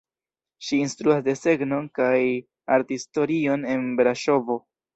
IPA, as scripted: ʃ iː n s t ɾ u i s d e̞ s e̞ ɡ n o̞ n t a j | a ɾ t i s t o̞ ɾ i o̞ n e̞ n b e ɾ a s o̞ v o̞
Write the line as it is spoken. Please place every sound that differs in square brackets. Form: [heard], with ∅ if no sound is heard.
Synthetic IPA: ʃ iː n s t ɾ u [a] s d e̞ s e̞ ɡ n o̞ n [k] a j | a ɾ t i s t o̞ ɾ i o̞ n e̞ n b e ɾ a [ʃ] o̞ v o̞